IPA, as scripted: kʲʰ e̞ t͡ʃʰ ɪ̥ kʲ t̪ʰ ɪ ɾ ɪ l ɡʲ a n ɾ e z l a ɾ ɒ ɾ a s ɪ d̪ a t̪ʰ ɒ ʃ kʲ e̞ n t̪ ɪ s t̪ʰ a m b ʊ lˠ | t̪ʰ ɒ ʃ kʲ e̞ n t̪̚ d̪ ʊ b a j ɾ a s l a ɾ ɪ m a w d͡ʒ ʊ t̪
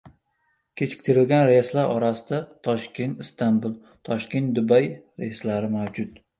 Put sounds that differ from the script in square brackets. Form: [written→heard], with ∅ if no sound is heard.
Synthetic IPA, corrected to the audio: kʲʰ e̞ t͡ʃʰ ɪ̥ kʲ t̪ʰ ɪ ɾ ɪ l ɡʲ a n ɾ e [z→s] l a ɾ ɒ ɾ a s ɪ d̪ a t̪ʰ ɒ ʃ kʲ e̞ n t̪ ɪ s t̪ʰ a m b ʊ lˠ | t̪ʰ ɒ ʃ kʲ e̞ n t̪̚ d̪ ʊ b a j ɾ [a→e] s l a ɾ ɪ m a w d͡ʒ ʊ t̪